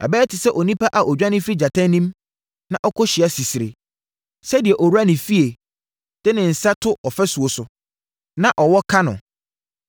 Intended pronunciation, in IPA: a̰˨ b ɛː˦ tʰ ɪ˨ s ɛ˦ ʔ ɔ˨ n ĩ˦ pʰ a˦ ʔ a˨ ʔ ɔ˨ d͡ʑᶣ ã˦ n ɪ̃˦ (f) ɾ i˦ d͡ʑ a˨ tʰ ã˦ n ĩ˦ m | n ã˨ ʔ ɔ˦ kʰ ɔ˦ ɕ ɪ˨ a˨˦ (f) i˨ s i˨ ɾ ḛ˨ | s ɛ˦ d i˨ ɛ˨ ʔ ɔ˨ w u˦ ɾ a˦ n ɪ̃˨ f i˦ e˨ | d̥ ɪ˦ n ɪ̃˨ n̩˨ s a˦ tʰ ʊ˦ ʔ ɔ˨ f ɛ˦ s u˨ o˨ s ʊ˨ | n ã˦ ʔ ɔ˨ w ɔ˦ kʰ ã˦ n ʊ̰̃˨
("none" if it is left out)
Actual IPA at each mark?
f, s

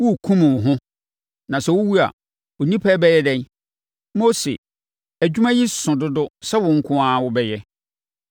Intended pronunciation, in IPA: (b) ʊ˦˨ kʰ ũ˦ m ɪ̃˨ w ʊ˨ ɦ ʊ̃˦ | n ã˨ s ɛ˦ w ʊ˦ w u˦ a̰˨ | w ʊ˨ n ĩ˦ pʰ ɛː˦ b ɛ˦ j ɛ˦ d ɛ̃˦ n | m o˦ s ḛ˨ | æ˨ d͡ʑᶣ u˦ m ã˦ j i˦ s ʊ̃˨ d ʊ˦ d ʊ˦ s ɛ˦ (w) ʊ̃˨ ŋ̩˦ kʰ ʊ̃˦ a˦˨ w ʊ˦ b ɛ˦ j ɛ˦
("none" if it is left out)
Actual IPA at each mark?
w, w

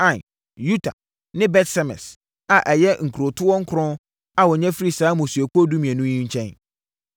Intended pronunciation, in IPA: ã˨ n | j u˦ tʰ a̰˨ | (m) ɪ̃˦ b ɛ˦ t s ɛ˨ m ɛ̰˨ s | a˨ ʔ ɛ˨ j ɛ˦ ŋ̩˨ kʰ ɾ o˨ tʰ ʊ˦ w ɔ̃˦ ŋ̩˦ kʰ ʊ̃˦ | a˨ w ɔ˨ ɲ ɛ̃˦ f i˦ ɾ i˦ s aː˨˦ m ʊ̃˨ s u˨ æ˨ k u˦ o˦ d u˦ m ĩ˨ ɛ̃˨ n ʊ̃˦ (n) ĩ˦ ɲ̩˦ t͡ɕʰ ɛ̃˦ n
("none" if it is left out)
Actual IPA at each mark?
n, ɲ

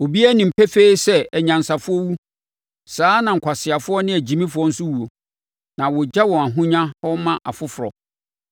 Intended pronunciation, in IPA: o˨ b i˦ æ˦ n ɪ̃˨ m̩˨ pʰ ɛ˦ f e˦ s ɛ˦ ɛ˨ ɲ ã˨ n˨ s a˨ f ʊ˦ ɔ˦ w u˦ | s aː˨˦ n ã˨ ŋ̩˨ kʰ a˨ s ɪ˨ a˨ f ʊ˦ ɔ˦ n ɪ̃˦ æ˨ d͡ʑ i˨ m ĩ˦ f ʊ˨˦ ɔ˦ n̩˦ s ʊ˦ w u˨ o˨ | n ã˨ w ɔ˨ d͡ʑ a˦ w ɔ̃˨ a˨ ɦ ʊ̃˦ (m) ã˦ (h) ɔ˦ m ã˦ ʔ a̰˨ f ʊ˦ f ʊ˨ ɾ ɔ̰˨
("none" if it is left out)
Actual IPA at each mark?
ɲ, h

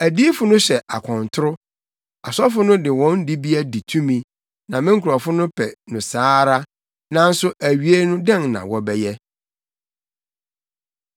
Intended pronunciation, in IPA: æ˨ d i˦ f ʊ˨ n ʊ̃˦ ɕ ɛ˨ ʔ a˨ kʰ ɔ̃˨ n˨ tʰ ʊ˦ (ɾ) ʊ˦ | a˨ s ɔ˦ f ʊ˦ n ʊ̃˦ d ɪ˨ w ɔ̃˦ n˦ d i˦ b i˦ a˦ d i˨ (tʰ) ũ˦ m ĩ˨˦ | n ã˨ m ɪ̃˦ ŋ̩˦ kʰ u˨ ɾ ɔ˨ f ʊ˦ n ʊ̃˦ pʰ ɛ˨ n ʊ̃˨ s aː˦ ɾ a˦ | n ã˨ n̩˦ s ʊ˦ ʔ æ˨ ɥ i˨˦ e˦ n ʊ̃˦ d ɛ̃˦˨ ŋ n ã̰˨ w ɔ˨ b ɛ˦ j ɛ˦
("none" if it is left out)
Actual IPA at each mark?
ɾ, tʰ

